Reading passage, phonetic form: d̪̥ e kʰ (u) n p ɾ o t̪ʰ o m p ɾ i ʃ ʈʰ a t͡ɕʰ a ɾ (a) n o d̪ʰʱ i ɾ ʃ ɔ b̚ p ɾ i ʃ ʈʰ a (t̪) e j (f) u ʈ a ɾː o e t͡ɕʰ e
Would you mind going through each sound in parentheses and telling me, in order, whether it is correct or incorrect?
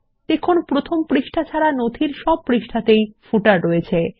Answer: incorrect: o, correct, correct, correct

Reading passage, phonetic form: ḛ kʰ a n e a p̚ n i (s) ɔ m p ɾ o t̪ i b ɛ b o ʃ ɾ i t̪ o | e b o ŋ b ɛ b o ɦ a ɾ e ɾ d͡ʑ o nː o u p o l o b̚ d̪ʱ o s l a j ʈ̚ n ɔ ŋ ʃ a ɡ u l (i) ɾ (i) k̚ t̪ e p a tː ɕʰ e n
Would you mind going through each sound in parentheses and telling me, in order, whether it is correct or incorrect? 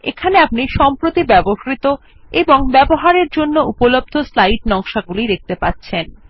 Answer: incorrect: ʃ, correct, incorrect: e

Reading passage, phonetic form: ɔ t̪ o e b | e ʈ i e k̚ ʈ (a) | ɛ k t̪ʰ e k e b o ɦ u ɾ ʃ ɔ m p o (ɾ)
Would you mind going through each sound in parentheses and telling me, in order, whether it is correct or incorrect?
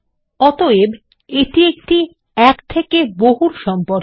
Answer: incorrect: i, correct

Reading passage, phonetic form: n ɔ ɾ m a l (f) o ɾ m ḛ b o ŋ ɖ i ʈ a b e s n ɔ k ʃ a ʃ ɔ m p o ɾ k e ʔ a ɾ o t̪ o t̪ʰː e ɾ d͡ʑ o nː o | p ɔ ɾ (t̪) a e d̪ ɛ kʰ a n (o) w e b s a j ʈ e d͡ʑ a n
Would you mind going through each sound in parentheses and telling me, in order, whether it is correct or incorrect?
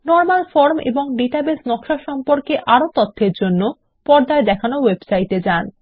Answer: correct, incorrect: d̪, correct

